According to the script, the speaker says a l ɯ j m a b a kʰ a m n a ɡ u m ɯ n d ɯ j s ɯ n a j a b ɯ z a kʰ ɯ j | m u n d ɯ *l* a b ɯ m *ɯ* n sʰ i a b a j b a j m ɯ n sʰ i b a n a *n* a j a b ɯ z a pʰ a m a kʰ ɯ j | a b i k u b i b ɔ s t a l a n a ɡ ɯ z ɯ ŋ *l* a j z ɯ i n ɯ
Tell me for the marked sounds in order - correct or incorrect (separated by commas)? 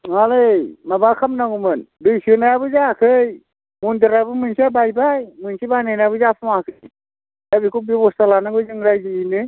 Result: incorrect, correct, correct, incorrect